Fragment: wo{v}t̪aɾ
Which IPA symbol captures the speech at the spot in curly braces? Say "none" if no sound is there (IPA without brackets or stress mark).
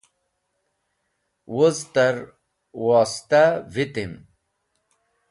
z